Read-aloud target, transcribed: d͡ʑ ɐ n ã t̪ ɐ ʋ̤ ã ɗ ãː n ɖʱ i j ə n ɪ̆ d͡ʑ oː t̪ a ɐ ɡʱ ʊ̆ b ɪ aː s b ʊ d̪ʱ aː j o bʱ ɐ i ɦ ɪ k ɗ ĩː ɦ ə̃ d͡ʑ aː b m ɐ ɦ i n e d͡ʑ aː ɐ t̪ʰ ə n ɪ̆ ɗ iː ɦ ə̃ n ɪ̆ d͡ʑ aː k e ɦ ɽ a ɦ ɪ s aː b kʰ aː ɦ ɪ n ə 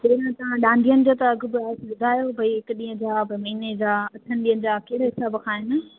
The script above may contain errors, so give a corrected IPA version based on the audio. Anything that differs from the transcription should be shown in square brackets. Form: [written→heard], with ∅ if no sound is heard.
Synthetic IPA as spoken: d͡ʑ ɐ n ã t̪ ɐ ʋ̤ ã ɗ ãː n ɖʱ i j ə n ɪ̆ d͡ʑ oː t̪ [a→ɐ] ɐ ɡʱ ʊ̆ b ɪ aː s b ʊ d̪ʱ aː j o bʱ ɐ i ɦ ɪ k ɗ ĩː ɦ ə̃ d͡ʑ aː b m ɐ ɦ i n e d͡ʑ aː ɐ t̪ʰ ə n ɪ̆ ɗ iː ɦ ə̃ n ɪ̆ d͡ʑ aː k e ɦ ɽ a ɦ ɪ s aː b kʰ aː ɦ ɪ n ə